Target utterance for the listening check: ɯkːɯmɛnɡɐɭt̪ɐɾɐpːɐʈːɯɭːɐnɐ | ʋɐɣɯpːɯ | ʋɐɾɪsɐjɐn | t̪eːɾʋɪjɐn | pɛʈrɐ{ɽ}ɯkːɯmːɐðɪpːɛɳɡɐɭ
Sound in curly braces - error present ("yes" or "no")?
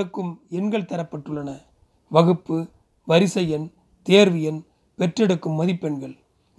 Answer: no